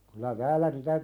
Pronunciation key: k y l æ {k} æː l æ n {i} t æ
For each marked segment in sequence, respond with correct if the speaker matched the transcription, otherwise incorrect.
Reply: incorrect: t, correct

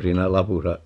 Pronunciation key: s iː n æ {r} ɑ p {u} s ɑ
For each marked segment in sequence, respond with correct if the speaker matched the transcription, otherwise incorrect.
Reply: incorrect: l, correct

